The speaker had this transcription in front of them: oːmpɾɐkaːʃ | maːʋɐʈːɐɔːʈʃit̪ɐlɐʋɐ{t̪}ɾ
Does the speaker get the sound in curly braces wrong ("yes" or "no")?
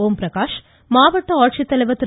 no